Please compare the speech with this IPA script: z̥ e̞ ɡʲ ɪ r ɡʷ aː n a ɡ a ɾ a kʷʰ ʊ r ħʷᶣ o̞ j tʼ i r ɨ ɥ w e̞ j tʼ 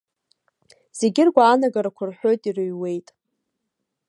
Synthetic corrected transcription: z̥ e̞ ɡʲ ɪ r ɡʷ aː n a ɡ a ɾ a kʷʰ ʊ r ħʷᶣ o̞ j tʼ i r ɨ ɥ w e̞ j tʼ